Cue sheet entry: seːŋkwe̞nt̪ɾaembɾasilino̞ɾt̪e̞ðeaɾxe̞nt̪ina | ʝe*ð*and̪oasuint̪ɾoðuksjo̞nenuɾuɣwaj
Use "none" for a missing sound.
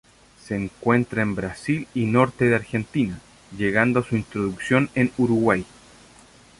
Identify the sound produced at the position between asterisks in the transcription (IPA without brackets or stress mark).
ɣ